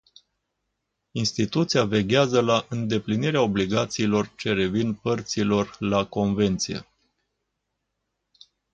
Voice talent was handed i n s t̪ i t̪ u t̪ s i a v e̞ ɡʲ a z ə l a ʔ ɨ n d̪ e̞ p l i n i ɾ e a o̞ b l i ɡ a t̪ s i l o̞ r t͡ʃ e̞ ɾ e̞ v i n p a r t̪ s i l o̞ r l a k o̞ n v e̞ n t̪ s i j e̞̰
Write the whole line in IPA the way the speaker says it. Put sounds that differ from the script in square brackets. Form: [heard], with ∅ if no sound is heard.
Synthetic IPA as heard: i n s t̪ i t̪ u t̪ s i a v e̞ ɡʲ a z ə l a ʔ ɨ n d̪ e̞ p l i n i ɾ e a o̞ b l i ɡ a t̪ s [iː] l o̞ r t͡ʃ e̞ ɾ e̞ v i n p [ə] r t̪ s i l o̞ r l a k o̞ n v e̞ n t̪ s i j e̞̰